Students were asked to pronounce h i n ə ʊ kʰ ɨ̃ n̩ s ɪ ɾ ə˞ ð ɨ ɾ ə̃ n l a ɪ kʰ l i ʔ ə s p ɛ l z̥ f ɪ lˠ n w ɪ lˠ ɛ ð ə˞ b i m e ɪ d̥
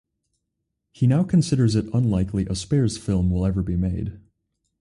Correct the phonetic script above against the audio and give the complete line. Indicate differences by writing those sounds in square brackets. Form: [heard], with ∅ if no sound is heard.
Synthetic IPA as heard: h i n [a] ʊ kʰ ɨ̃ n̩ s ɪ ɾ ə˞ [z] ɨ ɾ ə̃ n l a ɪ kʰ l i ʔ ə s p ɛ [ɹ] z̥ f ɪ lˠ [m] w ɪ lˠ ɛ [v] ə˞ b i m e ɪ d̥

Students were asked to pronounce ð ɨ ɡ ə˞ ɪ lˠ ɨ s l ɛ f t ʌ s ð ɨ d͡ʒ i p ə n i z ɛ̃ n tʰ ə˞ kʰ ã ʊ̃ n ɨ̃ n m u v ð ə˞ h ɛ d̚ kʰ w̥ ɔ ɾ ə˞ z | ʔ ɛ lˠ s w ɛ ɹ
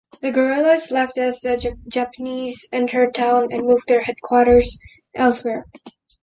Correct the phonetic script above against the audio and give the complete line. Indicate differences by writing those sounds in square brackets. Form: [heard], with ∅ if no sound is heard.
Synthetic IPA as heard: ð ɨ ɡ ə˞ ɪ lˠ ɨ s l ɛ f t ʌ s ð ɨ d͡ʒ [æ] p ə n i z ɛ̃ n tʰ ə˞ [tʰ] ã ʊ̃ n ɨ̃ n m u v ð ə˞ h ɛ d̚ kʰ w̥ ɔ ɾ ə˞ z | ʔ ɛ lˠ s w ɛ ɹ

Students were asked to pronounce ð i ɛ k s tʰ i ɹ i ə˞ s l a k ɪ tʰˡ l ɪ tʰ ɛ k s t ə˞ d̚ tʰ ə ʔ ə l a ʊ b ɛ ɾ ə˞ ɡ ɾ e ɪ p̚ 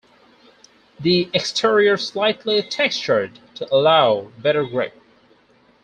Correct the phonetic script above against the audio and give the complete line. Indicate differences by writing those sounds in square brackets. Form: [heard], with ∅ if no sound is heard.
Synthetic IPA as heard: ð i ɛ k s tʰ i ɹ i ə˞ s l a [∅] ɪ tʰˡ l [i] tʰ ɛ k s [t͡ʃ] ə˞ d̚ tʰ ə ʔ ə l a ʊ b ɛ ɾ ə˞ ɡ [ɹ] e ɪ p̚

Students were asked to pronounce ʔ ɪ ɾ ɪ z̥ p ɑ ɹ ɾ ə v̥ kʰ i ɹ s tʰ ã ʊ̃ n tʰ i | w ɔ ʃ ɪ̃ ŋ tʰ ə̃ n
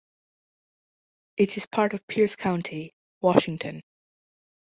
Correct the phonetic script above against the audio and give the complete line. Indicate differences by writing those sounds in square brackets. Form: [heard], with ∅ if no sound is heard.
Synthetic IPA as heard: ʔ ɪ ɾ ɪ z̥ [pʰ] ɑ ɹ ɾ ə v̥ [pʰ] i ɹ s [kʰ] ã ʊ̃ n tʰ i | w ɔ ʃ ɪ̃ ŋ tʰ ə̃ n

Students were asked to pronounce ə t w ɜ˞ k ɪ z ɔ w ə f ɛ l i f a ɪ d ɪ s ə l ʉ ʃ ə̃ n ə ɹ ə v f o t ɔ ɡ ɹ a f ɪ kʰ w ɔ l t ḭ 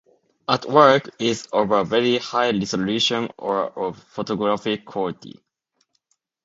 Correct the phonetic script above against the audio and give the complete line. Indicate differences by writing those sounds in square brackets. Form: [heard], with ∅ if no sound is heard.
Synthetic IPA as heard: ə t w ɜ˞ k ɪ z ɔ [v] ə [v] ɛ [ɹ] i [h] a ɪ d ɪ s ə l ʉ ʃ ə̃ n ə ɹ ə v f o t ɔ ɡ ɹ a f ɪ kʰ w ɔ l t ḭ

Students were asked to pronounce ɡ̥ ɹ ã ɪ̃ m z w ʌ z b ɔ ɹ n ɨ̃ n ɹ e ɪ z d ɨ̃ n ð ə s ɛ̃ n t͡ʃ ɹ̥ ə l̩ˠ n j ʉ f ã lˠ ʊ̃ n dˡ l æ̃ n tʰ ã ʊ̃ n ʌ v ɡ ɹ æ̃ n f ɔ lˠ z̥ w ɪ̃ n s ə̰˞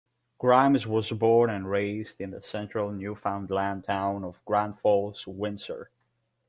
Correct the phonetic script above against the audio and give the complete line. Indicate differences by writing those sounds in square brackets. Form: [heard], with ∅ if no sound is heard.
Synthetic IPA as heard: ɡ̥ ɹ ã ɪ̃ m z w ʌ z b ɔ ɹ n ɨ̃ n ɹ e ɪ z d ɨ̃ n ð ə s ɛ̃ n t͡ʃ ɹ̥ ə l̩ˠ n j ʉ f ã [∅] ʊ̃ n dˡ l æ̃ n tʰ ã ʊ̃ n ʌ v ɡ ɹ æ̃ n f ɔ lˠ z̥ w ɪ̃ n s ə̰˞

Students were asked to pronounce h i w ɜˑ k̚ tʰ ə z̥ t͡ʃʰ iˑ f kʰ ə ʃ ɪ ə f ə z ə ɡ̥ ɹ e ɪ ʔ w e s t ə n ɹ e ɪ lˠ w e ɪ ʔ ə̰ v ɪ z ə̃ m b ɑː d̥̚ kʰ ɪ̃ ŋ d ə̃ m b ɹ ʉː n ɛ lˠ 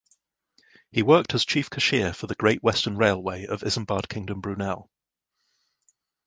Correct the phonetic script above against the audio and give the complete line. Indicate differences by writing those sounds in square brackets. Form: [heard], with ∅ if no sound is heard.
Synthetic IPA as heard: h i w ɜˑ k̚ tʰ ə z̥ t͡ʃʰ iˑ f kʰ ə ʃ ɪ ə f ə [ð] ə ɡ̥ ɹ e ɪ ʔ w [ɛ] s t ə n ɹ e ɪ lˠ w e ɪ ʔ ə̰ v ɪ z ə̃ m b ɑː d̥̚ kʰ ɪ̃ ŋ d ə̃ m b ɹ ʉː n ɛ lˠ

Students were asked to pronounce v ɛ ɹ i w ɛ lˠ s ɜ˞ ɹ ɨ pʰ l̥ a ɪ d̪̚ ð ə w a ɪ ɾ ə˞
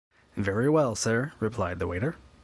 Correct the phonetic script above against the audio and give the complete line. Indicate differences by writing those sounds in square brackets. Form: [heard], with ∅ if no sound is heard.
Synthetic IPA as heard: v ɛ ɹ i w ɛ lˠ s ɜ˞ ɹ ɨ pʰ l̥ a ɪ d̪̚ ð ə w [e] ɪ ɾ ə˞

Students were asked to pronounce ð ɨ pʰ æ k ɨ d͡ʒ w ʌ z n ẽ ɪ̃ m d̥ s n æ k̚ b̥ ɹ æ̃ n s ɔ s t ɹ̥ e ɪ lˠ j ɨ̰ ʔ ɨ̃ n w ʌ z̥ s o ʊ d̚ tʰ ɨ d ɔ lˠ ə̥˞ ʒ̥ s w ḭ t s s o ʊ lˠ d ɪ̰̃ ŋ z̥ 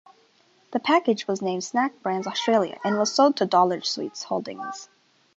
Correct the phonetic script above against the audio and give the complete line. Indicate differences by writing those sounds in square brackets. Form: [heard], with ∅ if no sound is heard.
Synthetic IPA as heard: ð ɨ pʰ æ k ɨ d͡ʒ w ʌ z n ẽ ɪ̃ m d̥ s n æ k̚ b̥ ɹ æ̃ n [z] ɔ s t ɹ̥ e ɪ lˠ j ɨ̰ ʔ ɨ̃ n w ʌ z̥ s o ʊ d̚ tʰ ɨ d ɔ lˠ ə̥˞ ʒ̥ s w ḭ t s [h] o ʊ lˠ d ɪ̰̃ ŋ z̥

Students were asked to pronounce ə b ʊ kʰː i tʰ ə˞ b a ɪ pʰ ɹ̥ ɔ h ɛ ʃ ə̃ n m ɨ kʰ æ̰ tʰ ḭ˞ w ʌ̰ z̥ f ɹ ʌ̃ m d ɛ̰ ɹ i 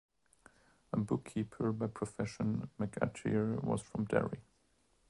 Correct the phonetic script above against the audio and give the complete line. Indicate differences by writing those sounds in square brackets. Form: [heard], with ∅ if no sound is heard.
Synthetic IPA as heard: ə b ʊ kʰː i [pʰ] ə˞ b a ɪ pʰ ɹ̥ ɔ [f] ɛ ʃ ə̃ n m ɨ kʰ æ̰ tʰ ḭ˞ w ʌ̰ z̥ f ɹ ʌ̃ m d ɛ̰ ɹ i

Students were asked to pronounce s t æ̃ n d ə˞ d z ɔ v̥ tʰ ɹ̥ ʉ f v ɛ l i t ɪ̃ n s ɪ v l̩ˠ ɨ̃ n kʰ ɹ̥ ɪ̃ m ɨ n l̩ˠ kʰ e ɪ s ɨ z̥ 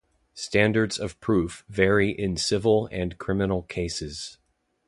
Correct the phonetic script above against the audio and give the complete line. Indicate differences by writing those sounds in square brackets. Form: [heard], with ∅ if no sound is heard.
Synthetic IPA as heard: s t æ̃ n d ə˞ d z [ʌ] v̥ [pʰ] ɹ̥ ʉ f v ɛ [ɹ] i [ʔ] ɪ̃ n s ɪ v l̩ˠ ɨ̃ n kʰ ɹ̥ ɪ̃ m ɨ n l̩ˠ kʰ e ɪ s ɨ z̥

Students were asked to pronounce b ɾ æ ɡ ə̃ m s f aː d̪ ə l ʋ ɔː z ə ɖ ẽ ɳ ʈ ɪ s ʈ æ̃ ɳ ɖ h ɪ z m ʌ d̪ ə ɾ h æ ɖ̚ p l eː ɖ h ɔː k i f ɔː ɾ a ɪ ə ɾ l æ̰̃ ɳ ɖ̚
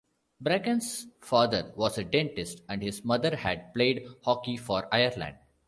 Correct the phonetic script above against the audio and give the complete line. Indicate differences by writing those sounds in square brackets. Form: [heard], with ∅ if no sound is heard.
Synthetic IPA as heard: b ɾ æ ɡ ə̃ [n] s f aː d̪ ə [ɾ] ʋ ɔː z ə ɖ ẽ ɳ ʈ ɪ s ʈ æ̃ ɳ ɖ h ɪ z m ʌ d̪ ə ɾ h æ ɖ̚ p l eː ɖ h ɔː k i f ɔː ɾ a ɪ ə ɾ l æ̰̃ ɳ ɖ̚

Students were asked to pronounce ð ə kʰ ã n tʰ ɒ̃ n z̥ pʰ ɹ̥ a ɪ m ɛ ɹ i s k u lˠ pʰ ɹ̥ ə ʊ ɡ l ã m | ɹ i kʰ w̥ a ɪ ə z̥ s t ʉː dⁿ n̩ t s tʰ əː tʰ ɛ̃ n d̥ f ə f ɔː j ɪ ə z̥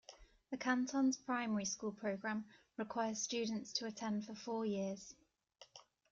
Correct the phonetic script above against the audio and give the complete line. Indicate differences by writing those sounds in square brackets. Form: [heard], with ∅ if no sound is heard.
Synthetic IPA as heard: ð ə kʰ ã n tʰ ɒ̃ n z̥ pʰ ɹ̥ a ɪ m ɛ ɹ i s k [uː] lˠ pʰ ɹ̥ ə ʊ ɡ [ɹ] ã m | ɹ [ɪ] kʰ w̥ a ɪ ə z̥ s [t͡ʃ] ʉː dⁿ n̩ t s tʰ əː tʰ ɛ̃ n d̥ f ə f ɔː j ɪ ə z̥

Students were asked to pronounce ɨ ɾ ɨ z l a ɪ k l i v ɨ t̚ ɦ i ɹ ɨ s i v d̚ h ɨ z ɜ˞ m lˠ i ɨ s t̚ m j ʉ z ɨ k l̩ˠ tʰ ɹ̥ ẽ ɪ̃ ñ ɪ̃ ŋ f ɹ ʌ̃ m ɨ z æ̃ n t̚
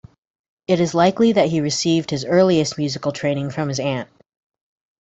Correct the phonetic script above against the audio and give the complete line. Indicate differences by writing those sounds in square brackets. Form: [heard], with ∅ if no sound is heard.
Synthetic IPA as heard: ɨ ɾ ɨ z l a ɪ k l i [ð] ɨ t̚ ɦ i ɹ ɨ s i v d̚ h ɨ z ɜ˞ [∅] lˠ i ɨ s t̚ m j ʉ z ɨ k l̩ˠ tʰ ɹ̥ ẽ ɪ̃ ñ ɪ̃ ŋ f ɹ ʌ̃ m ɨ z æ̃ n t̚

